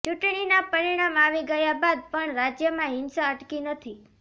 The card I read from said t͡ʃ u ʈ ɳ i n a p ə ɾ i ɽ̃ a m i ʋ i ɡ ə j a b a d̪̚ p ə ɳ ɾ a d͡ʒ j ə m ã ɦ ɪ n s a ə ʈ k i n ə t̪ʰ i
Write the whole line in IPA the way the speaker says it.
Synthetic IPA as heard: t͡ʃ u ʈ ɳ i n a p ə ɾ i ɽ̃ a m a ʋ i ɡ ə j a b a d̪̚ p ə ɳ ɾ a d͡ʒ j ə m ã ɦ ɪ n s a ə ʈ k i n ə t̪ʰ i